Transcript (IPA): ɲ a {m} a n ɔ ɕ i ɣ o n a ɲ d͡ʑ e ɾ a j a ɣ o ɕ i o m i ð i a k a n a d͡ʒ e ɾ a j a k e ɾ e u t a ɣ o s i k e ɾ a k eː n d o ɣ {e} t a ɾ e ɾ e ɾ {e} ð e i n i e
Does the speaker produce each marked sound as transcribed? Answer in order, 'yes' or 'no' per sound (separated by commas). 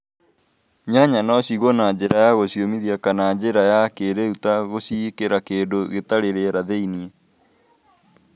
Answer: no, yes, no